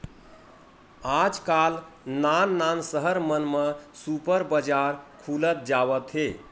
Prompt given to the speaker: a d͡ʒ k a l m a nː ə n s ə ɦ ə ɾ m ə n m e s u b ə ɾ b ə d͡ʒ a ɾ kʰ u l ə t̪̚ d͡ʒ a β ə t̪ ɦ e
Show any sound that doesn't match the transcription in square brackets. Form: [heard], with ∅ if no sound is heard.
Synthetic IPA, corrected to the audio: a d͡ʒ k a l [n] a nː [a] n s ə ɦ ə ɾ m ə n m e s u [p] ə ɾ b ə d͡ʒ a ɾ kʰ u l ə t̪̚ d͡ʒ a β ə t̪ ɦ e